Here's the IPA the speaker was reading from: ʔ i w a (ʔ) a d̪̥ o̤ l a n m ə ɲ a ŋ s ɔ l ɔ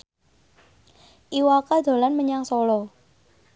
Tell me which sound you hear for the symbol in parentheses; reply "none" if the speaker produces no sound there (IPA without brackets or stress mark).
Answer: k